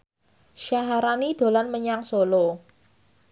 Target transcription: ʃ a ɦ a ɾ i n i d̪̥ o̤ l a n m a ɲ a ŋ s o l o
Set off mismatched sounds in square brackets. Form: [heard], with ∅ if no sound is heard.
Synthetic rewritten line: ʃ a ɦ a ɾ [a] n i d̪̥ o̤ l a n m [ə] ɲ a ŋ s o l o